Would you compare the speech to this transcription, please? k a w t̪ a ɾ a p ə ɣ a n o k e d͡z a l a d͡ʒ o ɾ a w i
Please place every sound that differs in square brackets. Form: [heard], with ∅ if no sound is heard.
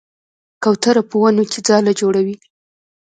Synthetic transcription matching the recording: k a w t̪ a ɾ a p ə [w] a n o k e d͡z [ɑ] l a d͡ʒ o [ɽ] a w i